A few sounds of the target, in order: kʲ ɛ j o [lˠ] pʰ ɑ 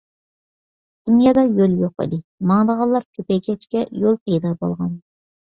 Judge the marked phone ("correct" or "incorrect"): correct